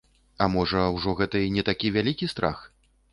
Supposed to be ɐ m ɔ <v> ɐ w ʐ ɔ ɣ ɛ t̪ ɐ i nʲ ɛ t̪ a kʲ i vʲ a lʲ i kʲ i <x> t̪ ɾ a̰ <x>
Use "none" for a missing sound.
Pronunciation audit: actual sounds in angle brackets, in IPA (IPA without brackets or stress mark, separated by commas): ʐ, s, x